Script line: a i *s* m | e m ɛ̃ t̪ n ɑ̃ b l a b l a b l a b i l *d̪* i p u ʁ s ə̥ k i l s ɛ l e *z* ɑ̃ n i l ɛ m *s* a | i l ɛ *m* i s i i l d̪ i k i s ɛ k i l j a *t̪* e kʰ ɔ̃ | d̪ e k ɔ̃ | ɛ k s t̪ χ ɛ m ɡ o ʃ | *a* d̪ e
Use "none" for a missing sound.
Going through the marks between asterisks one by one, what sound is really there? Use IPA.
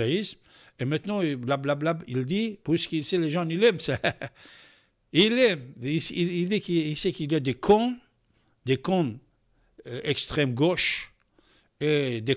s, d̪, ʒ, s, m, d̪, e

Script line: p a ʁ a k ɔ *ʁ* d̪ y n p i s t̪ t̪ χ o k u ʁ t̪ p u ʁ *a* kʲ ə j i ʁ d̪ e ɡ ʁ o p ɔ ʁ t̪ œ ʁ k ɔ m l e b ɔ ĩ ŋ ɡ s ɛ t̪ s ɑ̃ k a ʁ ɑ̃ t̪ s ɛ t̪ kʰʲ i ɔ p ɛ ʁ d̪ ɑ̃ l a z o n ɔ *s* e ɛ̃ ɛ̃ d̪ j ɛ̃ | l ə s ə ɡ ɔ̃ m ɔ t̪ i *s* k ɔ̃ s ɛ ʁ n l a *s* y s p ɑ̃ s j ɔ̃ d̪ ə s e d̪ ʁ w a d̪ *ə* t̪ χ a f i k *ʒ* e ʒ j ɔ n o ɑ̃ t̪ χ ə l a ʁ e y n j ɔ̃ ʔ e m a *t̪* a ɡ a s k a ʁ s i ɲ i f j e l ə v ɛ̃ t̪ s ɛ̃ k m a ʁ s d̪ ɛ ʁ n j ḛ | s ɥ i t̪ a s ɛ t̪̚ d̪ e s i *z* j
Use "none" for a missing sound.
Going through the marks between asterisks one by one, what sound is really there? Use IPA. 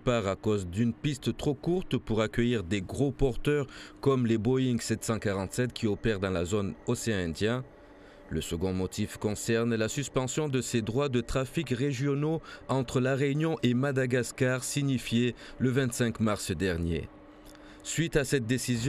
z, a, s, f, s, ə, ʁ, d̪, z

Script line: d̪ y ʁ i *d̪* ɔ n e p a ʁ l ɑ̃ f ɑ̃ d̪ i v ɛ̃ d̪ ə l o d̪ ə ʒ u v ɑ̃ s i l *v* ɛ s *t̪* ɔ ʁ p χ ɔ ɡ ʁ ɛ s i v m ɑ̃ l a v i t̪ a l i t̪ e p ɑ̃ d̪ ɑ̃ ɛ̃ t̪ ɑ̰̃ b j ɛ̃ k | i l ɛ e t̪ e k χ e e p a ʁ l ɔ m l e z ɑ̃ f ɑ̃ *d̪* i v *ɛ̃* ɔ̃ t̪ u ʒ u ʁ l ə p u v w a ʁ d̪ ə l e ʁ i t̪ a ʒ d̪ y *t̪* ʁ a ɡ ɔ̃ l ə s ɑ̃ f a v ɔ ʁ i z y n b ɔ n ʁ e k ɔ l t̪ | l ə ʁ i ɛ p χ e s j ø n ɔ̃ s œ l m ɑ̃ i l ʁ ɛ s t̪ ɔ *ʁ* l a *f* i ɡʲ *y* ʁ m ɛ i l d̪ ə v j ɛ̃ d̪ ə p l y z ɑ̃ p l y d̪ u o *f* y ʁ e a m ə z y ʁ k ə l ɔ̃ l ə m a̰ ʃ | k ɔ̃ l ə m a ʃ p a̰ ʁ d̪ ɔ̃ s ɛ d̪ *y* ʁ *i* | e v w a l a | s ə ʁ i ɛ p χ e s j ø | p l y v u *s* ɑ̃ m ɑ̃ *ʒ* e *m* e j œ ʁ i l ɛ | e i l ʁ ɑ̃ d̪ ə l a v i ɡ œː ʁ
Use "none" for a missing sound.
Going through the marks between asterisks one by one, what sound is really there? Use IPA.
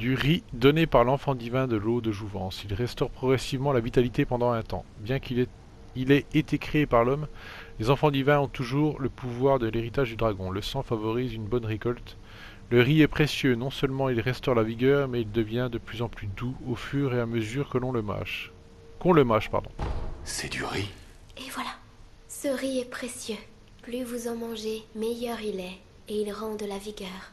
d̪, ʁ, t̪, d̪, ɛ̃, d̪, ʁ, v, œ, f, y, i, z, ʒ, m

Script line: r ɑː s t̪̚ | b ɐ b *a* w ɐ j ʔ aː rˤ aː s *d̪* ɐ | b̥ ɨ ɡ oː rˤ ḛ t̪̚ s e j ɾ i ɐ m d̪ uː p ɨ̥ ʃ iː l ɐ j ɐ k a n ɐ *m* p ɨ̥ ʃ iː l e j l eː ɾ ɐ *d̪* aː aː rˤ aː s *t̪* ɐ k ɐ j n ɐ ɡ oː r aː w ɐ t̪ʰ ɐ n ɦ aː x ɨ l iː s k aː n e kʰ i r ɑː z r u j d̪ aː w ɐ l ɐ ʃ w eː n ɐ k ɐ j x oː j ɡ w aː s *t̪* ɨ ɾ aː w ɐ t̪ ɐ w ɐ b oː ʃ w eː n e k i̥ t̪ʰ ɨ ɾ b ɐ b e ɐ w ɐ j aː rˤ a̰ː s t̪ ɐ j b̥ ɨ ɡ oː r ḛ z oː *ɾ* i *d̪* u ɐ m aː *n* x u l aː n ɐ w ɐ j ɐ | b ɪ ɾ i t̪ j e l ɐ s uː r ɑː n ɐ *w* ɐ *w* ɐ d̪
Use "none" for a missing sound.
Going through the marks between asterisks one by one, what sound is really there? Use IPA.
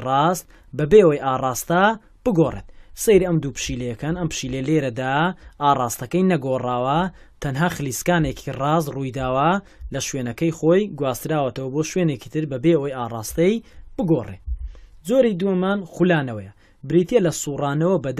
e, t̪, m, d̪, t̪, t̪, ɾ, d̪, n, w, b

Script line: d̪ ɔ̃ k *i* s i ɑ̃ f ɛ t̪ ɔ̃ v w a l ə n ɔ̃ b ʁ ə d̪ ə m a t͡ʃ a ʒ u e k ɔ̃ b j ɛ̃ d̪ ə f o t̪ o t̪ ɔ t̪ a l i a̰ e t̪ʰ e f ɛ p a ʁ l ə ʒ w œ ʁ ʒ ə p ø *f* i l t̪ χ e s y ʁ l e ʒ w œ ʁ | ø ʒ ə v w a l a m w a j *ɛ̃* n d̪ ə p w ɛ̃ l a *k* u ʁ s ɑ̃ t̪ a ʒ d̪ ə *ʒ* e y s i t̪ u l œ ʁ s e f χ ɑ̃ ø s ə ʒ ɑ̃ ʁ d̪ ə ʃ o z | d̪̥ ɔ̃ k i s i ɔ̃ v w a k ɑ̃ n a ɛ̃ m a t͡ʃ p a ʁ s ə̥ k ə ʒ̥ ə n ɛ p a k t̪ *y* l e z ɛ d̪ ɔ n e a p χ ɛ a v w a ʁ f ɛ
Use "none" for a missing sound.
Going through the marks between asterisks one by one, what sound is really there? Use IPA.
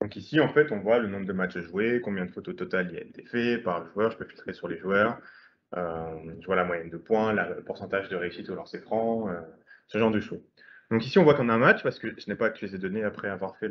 i, f, ɛ, p, ʁ, y

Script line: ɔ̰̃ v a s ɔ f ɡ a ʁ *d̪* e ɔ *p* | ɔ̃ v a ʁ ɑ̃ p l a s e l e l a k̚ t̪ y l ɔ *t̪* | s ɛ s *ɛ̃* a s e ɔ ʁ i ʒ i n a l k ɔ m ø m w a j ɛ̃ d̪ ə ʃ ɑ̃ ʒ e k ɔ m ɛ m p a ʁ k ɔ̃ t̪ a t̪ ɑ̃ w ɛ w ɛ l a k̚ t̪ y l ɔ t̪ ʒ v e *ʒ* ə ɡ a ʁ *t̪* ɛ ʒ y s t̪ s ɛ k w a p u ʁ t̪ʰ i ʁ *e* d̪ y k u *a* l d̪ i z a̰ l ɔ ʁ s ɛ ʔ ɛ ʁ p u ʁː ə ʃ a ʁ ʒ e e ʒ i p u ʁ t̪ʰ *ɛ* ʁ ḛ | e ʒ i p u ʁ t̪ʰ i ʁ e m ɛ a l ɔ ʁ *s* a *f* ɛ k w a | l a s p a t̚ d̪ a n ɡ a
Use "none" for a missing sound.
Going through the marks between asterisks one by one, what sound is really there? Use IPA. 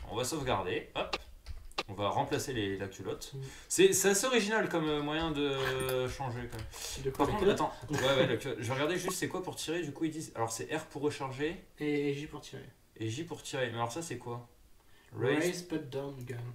d̪, p, t̪, ɛ, ʁ, d̪, e, i, i, s, s

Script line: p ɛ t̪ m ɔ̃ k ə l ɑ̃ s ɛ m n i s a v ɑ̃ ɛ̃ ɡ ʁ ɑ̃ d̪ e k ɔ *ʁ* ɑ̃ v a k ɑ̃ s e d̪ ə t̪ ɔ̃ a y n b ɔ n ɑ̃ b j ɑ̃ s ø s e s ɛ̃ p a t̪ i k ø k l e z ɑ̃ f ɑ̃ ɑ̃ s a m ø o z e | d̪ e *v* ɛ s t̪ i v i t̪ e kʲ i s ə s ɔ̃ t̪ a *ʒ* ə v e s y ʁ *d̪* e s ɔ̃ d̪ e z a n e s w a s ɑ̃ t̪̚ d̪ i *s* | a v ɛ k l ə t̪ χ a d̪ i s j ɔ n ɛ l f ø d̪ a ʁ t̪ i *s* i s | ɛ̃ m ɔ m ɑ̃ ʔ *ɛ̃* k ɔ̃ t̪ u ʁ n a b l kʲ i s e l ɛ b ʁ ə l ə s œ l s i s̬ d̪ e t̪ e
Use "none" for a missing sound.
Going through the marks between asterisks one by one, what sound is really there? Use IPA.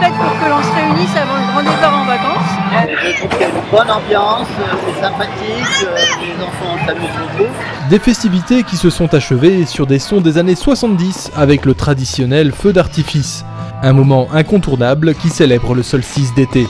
ʁ, f, ʃ, d̪, s, f, ɛ̃

